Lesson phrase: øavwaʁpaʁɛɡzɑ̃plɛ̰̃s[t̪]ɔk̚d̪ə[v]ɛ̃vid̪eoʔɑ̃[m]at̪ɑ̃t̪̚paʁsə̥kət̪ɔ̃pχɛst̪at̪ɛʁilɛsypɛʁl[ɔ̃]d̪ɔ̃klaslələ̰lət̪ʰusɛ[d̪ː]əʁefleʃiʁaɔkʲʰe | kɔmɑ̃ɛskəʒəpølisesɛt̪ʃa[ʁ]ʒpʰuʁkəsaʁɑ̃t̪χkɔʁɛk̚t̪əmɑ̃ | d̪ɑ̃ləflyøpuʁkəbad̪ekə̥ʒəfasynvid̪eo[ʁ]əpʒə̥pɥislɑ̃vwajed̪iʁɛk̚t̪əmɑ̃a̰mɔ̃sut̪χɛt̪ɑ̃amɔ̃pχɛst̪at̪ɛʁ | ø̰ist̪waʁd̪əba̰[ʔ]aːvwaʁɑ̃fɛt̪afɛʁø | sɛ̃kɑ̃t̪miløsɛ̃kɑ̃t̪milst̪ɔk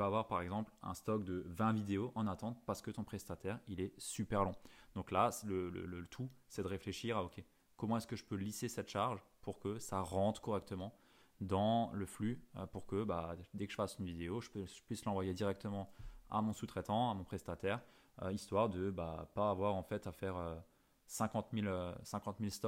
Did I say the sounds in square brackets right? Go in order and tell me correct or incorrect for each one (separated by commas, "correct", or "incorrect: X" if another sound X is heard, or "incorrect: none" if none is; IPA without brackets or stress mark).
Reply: correct, correct, incorrect: n, correct, incorrect: d̪, correct, incorrect: ʒ, incorrect: p